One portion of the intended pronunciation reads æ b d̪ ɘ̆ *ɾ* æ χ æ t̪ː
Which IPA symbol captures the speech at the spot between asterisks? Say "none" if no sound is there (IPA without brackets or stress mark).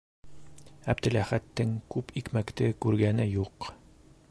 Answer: l